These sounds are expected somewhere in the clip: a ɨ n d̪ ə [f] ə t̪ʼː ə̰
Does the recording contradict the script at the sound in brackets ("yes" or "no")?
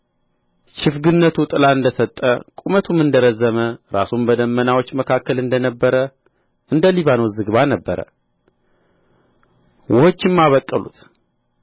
yes